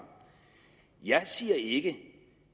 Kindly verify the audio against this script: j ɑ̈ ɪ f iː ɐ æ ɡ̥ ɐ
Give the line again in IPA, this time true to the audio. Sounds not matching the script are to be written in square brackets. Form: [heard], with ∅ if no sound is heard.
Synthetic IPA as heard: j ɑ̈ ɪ [s] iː ɐ [e] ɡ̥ [ə]

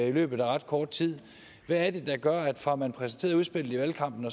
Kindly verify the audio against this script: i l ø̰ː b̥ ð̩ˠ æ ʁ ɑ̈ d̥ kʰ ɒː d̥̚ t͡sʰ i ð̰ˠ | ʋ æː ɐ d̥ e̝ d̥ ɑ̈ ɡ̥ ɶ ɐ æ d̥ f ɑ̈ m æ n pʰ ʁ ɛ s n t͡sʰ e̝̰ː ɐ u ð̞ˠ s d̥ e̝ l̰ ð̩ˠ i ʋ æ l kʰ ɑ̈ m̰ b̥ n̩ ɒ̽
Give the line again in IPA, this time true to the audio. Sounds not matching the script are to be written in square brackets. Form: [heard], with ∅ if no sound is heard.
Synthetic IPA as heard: i l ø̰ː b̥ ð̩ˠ æ ʁ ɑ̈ d̥ kʰ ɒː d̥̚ t͡sʰ i ð̰ˠ | ʋ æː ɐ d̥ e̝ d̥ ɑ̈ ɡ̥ ɶ ɐ æ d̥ f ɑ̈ m æ n pʰ ʁ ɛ s n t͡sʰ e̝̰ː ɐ u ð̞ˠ s [b̥] e̝ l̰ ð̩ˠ i ʋ æ l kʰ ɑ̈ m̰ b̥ n̩ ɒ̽

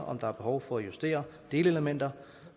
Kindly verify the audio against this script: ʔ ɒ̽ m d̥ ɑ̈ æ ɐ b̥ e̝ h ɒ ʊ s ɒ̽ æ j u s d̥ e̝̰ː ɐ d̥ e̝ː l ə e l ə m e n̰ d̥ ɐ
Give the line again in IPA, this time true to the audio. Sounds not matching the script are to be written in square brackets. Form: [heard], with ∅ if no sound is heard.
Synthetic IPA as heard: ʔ ɒ̽ m d̥ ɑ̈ æ ɐ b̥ e̝ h ɒ ʊ [f] ɒ̽ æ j u s d̥ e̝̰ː ɐ d̥ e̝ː l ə e l ə m e n̰ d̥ ɐ

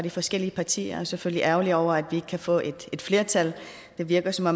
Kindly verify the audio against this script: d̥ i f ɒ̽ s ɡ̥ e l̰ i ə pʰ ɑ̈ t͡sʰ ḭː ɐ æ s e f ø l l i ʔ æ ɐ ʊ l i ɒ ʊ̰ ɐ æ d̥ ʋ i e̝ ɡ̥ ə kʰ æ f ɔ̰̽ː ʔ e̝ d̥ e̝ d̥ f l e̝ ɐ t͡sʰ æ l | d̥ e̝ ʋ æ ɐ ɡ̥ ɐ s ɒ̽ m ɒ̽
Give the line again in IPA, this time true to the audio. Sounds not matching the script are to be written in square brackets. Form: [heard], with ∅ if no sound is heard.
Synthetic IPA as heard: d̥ i f ɒ̽ s ɡ̥ e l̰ i ə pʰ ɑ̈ t͡sʰ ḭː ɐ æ s e f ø l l i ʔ æ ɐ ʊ l i ɒ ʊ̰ ɐ æ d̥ ʋ i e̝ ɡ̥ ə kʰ æ f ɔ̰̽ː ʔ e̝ d̥ e̝ d̥ f l e̝ ɐ t͡sʰ æ l | d̥ e̝ ʋ [i] ɐ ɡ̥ ɐ s ɒ̽ m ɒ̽

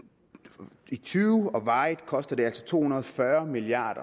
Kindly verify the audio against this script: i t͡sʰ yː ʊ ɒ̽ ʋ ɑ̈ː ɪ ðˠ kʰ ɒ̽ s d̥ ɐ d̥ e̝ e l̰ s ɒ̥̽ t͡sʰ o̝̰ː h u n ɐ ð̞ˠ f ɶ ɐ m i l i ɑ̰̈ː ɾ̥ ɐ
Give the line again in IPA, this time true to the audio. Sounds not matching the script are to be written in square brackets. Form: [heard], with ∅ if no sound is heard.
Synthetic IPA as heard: i t͡sʰ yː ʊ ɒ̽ ʋ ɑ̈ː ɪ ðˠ kʰ ɒ̽ s d̥ ɐ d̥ e̝ [æ] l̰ s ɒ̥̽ t͡sʰ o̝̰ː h u n ɐ ð̞ˠ f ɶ ɐ m i l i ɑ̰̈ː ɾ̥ ɐ

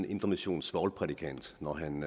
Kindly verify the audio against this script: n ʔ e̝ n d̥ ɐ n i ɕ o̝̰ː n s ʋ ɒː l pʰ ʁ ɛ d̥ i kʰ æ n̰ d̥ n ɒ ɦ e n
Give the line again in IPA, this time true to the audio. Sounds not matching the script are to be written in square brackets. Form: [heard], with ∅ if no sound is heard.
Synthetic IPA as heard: n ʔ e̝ n d̥ ɐ [m] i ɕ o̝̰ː n s ʋ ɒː l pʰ ʁ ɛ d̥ i kʰ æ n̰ d̥ n ɒ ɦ [æ] n

